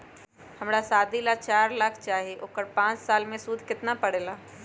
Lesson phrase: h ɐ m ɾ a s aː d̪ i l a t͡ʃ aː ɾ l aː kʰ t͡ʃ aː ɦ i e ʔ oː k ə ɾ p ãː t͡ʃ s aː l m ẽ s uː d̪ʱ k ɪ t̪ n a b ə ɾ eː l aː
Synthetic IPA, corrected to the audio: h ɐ m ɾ a s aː d̪ i l a t͡ʃ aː ɾ l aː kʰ t͡ʃ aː ɦ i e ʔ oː k ə ɾ p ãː t͡ʃ s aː l m ẽ s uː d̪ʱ k ɪ t̪ n a p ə ɽ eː l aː

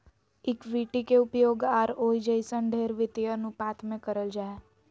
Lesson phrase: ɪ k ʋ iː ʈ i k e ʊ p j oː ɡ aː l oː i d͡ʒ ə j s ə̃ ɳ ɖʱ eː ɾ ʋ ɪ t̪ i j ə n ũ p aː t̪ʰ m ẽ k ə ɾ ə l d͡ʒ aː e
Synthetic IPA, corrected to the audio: ɪ k ʋ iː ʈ i k e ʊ p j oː ɡ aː ɾ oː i d͡ʒ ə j s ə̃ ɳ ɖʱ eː ɾ ʋ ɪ t̪ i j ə n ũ p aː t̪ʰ m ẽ k ə ɾ ə l d͡ʒ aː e

